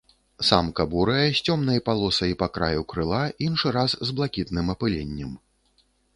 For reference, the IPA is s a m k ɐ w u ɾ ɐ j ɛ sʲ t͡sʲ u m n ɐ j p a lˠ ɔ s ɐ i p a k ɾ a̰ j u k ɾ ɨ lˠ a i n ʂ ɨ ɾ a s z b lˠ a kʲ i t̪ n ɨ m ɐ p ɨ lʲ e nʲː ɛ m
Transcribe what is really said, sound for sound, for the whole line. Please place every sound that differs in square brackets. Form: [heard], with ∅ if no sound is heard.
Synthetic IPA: s a m k ɐ [b] u ɾ ɐ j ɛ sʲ t͡sʲ [ɔ] m n ɐ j p a lˠ ɔ s ɐ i p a k ɾ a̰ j u k ɾ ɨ lˠ a i n ʂ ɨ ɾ a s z b lˠ a kʲ i t̪ n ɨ m ɐ p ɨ lʲ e nʲː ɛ m